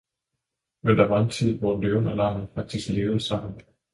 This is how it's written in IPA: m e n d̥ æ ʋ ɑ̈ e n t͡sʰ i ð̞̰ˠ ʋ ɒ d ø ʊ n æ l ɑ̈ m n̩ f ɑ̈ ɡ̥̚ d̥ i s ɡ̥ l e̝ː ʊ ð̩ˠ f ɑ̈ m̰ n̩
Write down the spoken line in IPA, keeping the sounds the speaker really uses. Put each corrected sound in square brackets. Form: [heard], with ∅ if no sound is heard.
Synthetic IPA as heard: m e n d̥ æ ʋ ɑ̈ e n t͡sʰ i ð̞̰ˠ ʋ ɒ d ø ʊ n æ l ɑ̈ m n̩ f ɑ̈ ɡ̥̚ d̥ i s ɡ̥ l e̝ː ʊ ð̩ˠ [s] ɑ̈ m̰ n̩